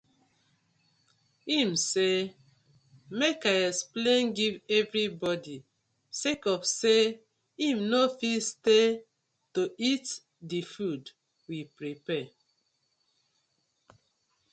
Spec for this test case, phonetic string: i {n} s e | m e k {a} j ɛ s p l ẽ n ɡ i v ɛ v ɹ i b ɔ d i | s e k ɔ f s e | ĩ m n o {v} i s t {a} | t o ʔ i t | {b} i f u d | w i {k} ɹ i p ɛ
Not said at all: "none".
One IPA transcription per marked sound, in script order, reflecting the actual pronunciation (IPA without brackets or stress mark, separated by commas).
m, a, f, e, d, p